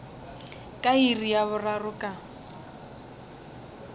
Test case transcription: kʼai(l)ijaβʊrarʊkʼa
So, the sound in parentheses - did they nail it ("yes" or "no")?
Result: no